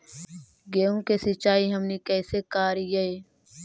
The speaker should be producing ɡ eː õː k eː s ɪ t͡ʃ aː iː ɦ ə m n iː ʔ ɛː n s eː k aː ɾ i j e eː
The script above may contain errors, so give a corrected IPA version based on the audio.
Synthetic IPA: ɡ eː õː k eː s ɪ t͡ʃ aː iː ɦ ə m n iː k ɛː s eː k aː ɾ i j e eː

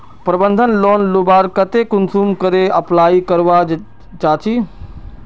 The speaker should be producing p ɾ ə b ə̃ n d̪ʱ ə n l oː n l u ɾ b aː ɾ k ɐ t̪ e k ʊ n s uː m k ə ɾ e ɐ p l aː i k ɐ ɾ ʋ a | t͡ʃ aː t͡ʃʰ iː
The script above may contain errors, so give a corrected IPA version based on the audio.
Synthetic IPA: p ɾ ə b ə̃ n d̪ʱ ə n l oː n l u b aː ɾ k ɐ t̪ e k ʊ n s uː m k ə ɾ e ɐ p l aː i k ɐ ɾ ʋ a | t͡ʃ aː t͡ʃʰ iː

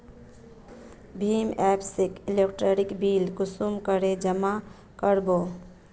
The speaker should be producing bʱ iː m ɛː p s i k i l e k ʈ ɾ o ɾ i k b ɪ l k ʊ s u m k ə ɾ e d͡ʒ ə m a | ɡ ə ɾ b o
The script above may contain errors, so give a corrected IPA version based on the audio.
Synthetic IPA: bʱ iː m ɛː p s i k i l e k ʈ ɾ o ɾ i k b i l k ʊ s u m k ə ɾ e d͡ʒ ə m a | k ə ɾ b o

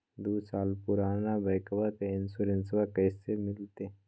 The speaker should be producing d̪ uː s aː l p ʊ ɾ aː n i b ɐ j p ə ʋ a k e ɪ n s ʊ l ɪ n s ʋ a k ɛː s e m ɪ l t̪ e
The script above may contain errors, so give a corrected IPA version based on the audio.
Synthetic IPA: d̪ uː s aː l p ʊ ɾ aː n a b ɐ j k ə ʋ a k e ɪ n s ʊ ɾ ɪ n s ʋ a k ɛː s e m ɪ l t̪ e

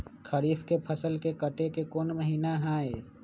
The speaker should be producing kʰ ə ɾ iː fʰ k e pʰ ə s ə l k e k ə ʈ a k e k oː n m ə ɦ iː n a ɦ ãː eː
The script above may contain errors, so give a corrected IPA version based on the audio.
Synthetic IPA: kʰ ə ɾ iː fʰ k e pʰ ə s ə l k e k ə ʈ e k e k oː n m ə ɦ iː n a ɦ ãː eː

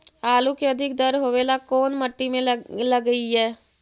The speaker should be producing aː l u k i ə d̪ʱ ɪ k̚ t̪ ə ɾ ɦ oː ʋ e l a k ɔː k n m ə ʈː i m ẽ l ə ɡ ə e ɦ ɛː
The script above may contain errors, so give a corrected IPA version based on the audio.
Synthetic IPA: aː l u k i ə d̪ʱ ɪ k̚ d̪ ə ɾ ɦ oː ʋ e l a k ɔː n m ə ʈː i m ẽ l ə ɡ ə i ɦ ɛː

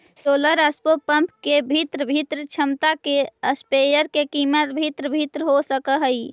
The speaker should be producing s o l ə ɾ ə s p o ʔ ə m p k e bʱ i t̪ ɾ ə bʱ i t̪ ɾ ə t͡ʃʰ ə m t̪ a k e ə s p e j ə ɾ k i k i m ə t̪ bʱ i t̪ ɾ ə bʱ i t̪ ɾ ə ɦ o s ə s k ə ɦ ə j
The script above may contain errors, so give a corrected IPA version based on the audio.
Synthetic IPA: s o l ə ɾ ə s p o p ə m p k e bʱ i t̪ ɾ ə bʱ i t̪ ɾ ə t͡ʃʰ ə m t̪ a k e ə s p e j ə ɾ k e k i m ə t̪ bʱ i t̪ ɾ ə bʱ i t̪ ɾ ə ɦ o s ə k ə ɦ ə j

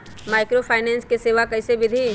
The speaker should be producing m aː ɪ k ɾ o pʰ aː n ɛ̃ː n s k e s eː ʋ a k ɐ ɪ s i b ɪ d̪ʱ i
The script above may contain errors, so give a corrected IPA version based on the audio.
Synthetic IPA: m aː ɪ k ɾ o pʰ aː n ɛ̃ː n s k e s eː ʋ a k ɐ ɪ s e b ɪ d̪ʱ i

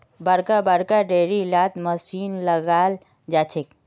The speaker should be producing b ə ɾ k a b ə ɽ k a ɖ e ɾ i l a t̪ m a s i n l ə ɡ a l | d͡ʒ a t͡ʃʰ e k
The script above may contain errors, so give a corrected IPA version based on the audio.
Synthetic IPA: b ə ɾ k a b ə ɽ k a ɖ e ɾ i l a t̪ m ə s i n l ə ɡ a l | d͡ʒ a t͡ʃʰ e k

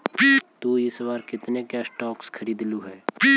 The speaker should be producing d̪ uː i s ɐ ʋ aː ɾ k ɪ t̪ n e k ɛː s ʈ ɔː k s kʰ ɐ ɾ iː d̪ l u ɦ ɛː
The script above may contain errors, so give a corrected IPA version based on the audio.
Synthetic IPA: t̪ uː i s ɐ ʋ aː ɾ k ɪ t̪ n e k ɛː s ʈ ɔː k s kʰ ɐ ɾ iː d̪ l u ɦ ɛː

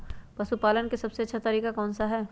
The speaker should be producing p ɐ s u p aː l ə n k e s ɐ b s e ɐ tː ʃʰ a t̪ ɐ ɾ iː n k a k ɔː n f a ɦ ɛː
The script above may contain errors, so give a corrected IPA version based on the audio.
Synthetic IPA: p ɐ s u p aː l ə n k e s ɐ b s e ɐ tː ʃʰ a t̪ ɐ ɾ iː k a k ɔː n s a ɦ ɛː

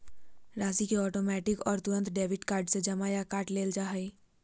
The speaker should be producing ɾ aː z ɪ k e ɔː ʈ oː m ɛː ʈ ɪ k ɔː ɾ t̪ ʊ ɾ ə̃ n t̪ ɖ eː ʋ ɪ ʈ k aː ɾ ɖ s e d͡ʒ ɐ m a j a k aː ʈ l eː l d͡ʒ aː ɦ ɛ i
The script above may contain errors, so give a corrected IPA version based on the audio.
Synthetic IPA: ɾ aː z i k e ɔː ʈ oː m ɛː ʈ ɪ k ɔː ɾ t̪ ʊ ɾ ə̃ n t̪ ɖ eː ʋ ɪ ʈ k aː ɾ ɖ s e d͡ʒ ɐ m a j a k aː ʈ l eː l d͡ʒ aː ɦ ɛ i

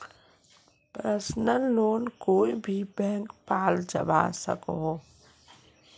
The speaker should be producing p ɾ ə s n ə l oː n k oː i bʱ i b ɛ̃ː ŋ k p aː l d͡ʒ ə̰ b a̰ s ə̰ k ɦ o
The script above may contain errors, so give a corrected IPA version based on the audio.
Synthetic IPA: p ɾ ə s n ə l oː n k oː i bʱ i b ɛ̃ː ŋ k p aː l d͡ʒ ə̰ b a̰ s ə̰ k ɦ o

